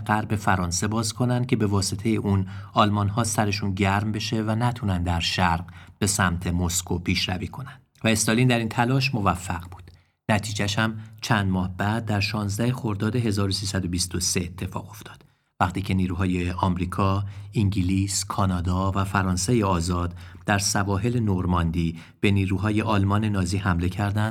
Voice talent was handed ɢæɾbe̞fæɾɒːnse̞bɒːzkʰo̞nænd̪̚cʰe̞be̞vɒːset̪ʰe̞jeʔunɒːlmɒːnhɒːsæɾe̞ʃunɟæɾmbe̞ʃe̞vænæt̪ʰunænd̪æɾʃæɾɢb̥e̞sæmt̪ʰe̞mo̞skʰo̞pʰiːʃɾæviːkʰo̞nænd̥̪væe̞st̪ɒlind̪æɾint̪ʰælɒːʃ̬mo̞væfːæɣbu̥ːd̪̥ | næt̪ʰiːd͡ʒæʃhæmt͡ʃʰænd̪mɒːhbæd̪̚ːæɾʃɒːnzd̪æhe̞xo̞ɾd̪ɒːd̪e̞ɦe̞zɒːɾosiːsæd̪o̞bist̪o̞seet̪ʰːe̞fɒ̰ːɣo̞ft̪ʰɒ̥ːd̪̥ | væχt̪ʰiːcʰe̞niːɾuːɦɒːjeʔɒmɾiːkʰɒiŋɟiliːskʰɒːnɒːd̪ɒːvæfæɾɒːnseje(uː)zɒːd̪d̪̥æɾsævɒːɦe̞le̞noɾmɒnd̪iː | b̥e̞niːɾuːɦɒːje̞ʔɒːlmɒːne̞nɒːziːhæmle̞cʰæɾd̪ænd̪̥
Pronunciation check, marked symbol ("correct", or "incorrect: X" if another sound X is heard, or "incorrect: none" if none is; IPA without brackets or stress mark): incorrect: ɒː